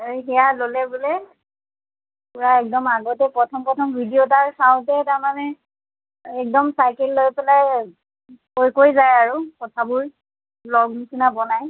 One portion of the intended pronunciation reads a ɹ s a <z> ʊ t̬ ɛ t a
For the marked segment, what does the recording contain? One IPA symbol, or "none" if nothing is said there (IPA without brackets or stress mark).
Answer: none